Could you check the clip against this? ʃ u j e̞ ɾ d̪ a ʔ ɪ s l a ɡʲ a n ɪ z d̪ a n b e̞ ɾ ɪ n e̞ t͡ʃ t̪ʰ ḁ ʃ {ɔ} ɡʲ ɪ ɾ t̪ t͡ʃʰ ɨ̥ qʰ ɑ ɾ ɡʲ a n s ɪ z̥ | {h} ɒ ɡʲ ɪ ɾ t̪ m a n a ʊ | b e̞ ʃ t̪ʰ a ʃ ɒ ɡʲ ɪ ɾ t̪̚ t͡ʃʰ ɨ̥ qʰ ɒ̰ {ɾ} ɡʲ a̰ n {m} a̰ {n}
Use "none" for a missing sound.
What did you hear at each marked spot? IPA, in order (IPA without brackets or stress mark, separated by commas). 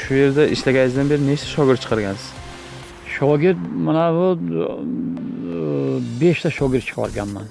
ɒ, ʃ, ɾ, m, n